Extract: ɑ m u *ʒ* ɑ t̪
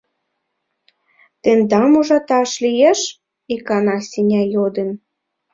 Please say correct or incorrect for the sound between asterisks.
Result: correct